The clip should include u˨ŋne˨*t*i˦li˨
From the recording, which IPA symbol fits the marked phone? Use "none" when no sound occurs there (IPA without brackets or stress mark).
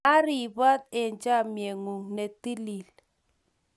t